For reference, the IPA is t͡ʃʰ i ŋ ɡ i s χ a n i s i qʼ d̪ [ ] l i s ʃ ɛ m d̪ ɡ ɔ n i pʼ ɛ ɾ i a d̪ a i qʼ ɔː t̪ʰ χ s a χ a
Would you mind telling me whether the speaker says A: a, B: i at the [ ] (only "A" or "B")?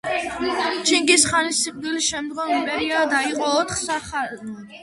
B